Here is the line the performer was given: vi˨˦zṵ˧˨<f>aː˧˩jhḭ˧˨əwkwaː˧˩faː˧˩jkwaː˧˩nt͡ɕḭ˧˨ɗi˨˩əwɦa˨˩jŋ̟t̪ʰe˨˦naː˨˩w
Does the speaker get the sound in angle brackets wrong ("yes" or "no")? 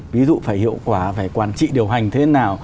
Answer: no